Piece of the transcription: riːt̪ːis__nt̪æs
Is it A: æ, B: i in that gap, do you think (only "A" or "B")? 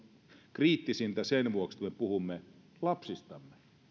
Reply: B